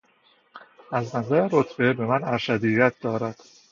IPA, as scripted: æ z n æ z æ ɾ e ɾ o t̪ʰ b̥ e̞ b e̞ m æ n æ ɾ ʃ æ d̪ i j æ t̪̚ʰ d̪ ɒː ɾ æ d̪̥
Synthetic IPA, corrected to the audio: æ z n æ z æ ɾ e ɾ o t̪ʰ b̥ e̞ b e̞ m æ n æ ɾ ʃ æ d̪ i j æ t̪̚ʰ d̪ ɒː ɾ æ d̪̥